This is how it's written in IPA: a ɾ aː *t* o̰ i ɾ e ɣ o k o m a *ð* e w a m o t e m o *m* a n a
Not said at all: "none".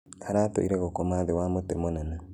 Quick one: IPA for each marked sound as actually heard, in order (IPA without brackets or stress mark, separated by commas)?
t, ð, n